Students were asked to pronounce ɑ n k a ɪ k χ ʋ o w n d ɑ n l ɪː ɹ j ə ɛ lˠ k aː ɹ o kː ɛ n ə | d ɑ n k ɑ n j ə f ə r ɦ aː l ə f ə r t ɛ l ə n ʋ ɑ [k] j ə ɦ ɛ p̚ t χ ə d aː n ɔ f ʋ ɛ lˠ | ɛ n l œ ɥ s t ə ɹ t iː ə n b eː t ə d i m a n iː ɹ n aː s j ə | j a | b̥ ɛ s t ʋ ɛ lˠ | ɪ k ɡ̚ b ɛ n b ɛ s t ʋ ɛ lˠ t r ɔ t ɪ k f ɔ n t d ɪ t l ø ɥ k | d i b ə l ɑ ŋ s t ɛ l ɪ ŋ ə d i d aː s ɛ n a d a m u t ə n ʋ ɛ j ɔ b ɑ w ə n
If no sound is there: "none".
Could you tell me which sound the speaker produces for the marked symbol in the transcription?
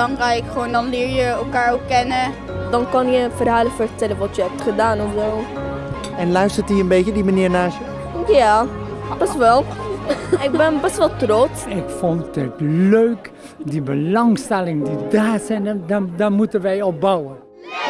t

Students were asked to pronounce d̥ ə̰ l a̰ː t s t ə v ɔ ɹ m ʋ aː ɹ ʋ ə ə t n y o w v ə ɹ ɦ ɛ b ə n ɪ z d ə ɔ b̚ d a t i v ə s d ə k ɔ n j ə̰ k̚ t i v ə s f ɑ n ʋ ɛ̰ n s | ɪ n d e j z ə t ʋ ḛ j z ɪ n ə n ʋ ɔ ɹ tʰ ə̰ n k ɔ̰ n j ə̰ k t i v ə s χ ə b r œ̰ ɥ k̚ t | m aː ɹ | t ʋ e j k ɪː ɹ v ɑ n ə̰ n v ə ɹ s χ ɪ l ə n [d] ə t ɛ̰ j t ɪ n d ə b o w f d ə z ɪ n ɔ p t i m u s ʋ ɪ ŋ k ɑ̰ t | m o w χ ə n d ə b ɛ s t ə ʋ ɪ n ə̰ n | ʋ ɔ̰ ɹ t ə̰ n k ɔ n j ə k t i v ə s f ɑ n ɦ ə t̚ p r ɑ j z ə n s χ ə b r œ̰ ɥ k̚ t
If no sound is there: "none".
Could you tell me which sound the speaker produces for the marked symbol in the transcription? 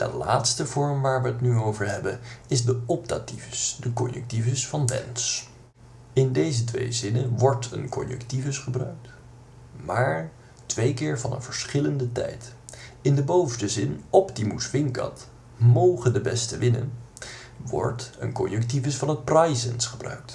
d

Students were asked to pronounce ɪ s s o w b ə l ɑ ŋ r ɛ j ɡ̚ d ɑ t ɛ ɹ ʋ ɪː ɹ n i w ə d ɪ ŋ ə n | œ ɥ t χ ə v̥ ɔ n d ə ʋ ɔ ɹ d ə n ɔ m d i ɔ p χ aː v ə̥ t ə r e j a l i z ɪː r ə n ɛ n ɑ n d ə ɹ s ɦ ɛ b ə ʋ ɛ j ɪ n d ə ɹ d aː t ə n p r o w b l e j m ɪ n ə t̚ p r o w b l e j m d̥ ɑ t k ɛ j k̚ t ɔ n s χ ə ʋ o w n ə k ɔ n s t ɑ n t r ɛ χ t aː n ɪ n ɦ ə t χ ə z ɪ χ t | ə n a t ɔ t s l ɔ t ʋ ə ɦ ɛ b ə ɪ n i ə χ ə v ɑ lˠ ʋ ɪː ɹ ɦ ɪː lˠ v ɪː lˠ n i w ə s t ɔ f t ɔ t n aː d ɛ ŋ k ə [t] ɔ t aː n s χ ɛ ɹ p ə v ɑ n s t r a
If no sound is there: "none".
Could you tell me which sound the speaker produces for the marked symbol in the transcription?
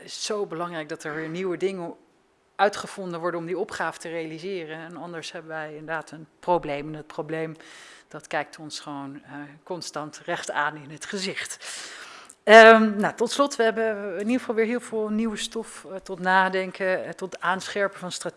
t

